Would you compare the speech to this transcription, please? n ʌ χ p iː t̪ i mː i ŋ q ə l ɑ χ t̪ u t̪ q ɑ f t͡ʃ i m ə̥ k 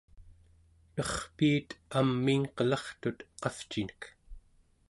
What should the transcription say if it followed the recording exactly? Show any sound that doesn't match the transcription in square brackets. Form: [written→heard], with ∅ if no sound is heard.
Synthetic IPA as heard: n ʌ χ p iː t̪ [i→a] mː i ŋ q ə l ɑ χ t̪ u t̪ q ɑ f t͡ʃ i [m→n] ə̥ k